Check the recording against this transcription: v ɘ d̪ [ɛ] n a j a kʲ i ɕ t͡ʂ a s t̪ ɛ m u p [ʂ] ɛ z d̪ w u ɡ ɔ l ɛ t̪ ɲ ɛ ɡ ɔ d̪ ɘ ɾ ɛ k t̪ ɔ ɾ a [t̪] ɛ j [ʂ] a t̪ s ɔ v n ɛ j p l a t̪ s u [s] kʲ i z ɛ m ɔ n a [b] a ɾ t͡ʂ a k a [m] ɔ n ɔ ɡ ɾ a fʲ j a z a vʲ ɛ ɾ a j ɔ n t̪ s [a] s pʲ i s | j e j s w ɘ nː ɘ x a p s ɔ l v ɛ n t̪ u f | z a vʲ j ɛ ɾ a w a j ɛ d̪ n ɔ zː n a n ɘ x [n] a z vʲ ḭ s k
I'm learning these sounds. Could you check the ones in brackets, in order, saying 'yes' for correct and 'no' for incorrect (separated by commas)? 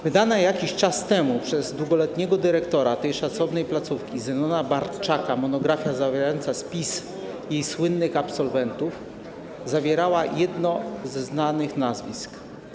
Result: no, yes, yes, yes, no, yes, yes, yes, yes